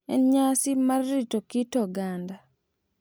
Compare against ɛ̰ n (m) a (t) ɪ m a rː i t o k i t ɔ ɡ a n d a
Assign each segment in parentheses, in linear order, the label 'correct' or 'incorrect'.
incorrect: ɲ, incorrect: s

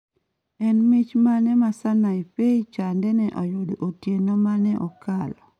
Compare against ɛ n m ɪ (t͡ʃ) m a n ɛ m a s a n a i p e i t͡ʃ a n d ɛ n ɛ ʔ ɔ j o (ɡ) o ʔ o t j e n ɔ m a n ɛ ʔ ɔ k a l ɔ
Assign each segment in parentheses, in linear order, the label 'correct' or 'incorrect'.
correct, incorrect: d

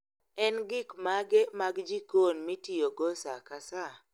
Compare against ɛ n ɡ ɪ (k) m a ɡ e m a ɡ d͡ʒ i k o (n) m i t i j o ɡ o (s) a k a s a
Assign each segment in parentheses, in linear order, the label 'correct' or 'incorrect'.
correct, correct, correct

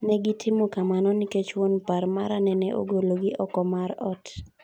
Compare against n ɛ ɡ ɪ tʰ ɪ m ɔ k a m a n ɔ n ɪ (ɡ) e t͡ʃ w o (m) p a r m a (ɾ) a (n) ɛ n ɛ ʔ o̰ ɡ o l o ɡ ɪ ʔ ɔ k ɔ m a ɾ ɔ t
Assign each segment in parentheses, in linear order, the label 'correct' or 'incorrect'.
incorrect: k, incorrect: n, correct, correct

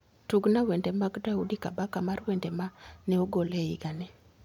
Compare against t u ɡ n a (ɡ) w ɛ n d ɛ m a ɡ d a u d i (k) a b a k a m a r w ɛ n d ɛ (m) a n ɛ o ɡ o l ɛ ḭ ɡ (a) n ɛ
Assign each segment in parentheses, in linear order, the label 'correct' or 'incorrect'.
incorrect: none, correct, correct, correct

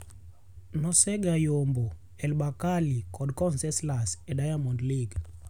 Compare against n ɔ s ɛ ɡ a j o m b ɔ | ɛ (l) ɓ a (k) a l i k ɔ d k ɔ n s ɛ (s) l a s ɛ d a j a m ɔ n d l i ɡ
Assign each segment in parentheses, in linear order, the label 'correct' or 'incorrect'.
correct, correct, correct

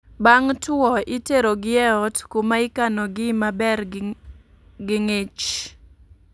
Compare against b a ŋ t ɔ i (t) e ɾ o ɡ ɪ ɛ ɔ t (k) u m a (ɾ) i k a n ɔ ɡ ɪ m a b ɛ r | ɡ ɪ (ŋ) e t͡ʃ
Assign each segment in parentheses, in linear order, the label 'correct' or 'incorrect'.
correct, correct, incorrect: none, correct

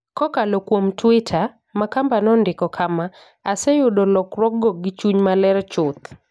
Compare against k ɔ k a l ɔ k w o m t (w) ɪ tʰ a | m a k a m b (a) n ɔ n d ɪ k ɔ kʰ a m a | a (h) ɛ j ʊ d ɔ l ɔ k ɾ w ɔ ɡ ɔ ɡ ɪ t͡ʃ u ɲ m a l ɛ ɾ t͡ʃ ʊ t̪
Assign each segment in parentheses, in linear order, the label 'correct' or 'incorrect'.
correct, correct, incorrect: s

